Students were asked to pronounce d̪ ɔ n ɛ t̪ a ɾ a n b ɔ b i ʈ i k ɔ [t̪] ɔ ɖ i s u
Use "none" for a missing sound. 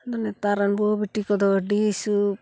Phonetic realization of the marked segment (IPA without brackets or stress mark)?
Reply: d̪